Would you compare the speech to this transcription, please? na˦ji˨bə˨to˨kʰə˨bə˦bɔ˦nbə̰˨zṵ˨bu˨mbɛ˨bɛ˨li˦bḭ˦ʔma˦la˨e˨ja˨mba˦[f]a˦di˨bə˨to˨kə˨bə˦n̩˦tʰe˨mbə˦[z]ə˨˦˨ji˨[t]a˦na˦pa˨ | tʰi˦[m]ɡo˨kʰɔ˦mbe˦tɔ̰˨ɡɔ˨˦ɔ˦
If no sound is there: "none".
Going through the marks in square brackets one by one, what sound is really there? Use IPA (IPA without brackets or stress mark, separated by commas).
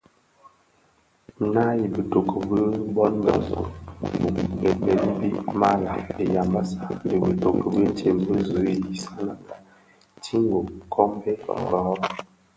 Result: s, z, s, ŋ